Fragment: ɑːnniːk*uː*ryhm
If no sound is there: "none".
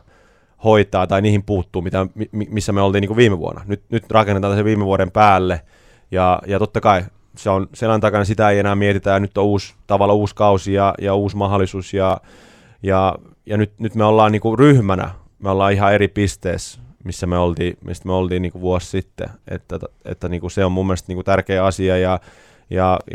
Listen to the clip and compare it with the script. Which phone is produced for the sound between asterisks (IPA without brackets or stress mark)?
u